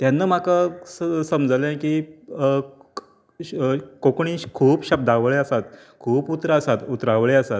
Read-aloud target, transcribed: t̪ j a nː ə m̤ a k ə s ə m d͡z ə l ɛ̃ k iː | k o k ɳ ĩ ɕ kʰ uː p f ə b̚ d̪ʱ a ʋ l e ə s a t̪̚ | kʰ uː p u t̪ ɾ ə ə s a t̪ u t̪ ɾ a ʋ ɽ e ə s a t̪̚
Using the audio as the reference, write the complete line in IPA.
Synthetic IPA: t̪ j a nː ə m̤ a k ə s ə m d͡z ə l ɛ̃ k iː | k o k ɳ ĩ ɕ kʰ uː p ɕ ə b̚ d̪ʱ a ʋ ɭ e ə s a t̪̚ | kʰ uː p u t̪ ɾ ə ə s a t̪ u t̪ ɾ a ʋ ɭ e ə s a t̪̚